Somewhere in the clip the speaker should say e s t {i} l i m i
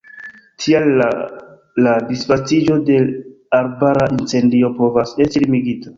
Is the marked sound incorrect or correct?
correct